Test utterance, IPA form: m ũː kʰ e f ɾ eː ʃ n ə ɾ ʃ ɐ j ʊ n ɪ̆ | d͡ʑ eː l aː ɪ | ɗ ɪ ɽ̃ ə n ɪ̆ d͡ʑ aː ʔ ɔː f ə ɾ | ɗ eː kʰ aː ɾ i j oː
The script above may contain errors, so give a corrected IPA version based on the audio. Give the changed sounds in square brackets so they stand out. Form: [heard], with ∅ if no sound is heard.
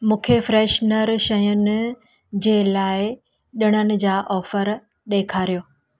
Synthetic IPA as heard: m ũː kʰ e f ɾ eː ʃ n ə ɾ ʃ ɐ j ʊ n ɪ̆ | d͡ʑ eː l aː ɪ | ɗ ɪ ɽ̃ ə n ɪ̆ d͡ʑ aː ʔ ɔː f ə ɾ | ɗ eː kʰ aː ɾ i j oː